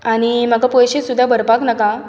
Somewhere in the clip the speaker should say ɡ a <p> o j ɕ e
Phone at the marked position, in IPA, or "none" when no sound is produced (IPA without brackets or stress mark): p